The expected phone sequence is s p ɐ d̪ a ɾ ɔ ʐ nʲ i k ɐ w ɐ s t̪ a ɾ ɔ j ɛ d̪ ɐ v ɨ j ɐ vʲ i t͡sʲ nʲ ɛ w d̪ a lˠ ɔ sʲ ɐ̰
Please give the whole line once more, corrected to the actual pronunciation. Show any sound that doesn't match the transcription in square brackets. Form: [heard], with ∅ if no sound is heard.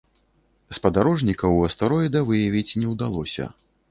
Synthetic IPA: s p ɐ d̪ a ɾ ɔ ʐ nʲ i k ɐ w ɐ s t̪ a ɾ ɔ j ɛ d̪ ɐ v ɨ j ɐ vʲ i t͡sʲ nʲ ɛ w d̪ a lˠ ɔ sʲ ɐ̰